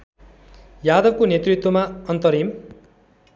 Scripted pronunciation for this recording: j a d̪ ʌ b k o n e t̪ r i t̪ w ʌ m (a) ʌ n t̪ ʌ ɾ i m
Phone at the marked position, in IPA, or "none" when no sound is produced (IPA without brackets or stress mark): a